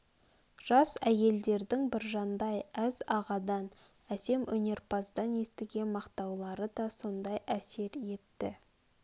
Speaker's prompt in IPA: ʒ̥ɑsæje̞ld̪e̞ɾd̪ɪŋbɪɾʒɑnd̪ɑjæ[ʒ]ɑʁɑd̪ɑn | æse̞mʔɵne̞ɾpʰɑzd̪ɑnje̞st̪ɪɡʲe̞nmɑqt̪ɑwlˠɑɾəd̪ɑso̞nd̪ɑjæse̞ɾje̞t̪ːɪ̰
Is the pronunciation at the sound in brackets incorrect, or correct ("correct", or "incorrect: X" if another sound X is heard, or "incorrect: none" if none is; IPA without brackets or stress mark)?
incorrect: z